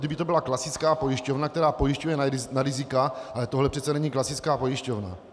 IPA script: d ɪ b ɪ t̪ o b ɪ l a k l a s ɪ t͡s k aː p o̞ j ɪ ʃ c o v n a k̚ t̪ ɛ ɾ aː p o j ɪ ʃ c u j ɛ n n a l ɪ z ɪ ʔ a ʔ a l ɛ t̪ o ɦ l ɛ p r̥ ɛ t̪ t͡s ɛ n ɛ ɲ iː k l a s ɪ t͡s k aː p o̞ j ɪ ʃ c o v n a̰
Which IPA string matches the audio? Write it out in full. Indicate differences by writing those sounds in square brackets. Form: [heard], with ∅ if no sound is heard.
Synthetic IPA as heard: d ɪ b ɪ t̪ o b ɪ l a k l a s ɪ t͡s k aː p o̞ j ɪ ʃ c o v n a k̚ t̪ ɛ ɾ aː p o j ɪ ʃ c u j ɛ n n a [ɾ] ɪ z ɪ [k] a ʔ a l ɛ t̪ o ɦ l ɛ p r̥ ɛ t̪ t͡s ɛ n ɛ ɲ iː k l a s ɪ t͡s k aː p o̞ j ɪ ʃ c o v n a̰